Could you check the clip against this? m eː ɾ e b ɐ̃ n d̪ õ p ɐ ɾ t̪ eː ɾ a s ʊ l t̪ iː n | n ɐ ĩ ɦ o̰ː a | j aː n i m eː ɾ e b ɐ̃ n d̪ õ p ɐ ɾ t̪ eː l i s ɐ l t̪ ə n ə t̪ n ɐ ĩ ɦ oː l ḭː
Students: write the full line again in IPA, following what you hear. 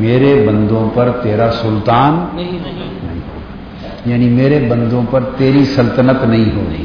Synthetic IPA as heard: m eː ɾ e b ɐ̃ n d̪ õ p ɐ ɾ t̪ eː ɾ a s ʊ l t̪ aː n | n ɐ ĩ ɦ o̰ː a | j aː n i m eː ɾ e b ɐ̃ n d̪ õ p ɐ ɾ t̪ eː ɾ i s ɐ l t̪ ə n ə t̪ n ɐ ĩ ɦ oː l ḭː